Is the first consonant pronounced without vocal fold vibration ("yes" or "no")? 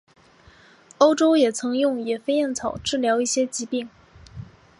yes